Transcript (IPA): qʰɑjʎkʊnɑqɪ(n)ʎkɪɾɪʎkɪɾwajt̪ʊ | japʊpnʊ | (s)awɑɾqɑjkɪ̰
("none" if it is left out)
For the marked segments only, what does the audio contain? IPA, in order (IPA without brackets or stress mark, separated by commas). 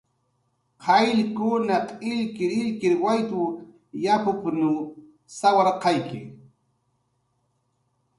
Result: none, s